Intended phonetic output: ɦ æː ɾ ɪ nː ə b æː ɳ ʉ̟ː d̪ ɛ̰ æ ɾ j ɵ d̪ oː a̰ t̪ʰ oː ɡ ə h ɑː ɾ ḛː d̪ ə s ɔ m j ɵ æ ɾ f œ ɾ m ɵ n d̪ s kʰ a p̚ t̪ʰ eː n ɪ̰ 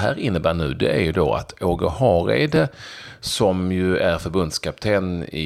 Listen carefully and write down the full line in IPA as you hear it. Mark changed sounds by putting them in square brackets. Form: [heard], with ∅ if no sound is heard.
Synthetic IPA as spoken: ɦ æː ɾ ɪ nː ə b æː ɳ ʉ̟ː d̪ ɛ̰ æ ɾ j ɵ d̪ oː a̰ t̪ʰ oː ɡ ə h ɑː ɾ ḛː d̪ ə s ɔ m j ɵ æ ɾ f œ ɾ [b] ɵ n d̪ s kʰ a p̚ t̪ʰ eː n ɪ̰